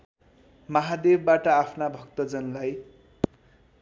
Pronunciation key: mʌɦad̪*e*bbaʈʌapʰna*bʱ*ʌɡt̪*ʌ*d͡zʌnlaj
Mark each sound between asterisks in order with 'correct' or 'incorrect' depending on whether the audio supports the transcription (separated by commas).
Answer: correct, correct, correct